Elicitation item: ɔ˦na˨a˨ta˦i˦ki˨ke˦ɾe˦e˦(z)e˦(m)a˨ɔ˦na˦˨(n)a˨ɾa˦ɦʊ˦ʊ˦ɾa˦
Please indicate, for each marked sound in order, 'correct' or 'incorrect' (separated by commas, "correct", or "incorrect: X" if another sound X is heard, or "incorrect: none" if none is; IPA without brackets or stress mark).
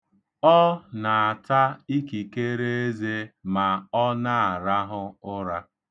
correct, correct, incorrect: none